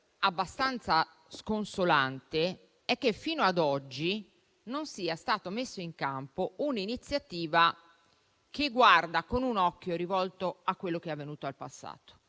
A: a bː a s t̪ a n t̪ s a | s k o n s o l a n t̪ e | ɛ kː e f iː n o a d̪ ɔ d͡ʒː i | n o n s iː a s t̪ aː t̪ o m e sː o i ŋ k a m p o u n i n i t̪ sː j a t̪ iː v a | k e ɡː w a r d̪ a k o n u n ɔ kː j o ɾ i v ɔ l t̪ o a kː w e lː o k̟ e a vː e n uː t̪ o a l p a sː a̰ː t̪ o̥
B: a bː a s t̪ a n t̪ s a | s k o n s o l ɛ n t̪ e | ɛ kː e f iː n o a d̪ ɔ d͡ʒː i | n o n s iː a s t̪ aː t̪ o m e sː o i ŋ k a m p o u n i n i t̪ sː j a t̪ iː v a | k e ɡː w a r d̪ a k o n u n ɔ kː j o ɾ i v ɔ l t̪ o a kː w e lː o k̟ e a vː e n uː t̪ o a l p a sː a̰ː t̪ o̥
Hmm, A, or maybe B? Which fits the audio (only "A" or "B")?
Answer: A